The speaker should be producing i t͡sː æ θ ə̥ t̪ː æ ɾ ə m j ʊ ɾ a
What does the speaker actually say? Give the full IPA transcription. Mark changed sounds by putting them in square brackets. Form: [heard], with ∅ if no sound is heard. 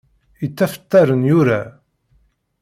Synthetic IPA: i t͡sː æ [f] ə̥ t̪ː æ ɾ ə [n] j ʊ ɾ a